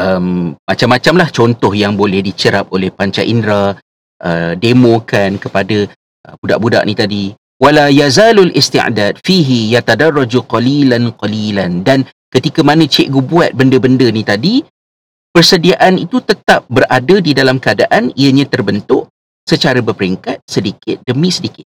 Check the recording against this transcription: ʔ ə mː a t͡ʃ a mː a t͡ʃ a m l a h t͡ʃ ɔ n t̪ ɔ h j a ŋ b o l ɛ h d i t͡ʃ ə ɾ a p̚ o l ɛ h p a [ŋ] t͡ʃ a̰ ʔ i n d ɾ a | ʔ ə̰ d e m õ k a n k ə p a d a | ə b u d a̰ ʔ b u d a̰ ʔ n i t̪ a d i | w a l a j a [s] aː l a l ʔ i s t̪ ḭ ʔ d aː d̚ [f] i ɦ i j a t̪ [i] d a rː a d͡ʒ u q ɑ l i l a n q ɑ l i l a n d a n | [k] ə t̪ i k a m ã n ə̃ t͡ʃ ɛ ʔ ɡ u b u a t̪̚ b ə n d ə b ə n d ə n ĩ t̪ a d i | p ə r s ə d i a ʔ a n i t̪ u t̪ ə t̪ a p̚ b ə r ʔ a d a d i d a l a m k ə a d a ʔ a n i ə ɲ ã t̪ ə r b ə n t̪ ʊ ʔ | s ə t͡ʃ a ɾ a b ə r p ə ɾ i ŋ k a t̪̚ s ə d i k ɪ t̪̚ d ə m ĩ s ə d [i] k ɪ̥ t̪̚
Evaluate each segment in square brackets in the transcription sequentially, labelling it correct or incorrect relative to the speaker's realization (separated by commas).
incorrect, incorrect, correct, incorrect, correct, correct